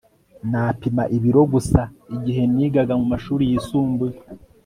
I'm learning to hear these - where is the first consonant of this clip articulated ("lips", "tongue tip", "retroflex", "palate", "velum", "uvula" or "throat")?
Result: tongue tip